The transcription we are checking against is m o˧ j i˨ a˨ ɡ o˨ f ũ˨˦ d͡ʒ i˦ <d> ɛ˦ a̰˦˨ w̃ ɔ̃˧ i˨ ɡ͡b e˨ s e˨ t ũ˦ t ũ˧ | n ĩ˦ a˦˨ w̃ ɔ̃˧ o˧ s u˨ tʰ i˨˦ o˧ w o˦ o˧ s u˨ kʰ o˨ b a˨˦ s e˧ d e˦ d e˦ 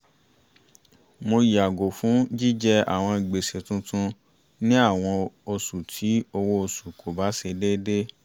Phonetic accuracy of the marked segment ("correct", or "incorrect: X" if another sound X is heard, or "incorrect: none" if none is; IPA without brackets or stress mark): incorrect: d͡ʒ